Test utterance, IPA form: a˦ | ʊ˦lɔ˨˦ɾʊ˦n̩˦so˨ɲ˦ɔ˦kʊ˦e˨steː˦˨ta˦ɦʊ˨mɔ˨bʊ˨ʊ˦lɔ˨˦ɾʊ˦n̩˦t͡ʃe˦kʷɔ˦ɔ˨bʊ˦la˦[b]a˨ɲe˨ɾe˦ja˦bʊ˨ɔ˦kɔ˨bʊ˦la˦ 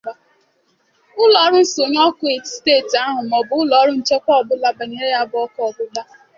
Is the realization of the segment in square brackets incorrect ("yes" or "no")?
no